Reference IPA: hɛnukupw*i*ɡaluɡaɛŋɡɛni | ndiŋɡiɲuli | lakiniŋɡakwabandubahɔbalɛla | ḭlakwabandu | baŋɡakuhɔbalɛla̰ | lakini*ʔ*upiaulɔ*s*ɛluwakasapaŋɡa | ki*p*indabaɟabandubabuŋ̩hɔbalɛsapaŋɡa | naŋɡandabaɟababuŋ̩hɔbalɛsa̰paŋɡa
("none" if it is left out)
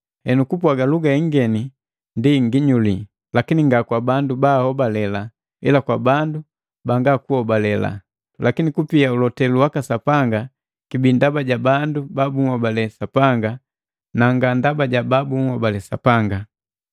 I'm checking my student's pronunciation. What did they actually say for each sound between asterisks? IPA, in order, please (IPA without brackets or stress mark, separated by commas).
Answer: a, k, t, b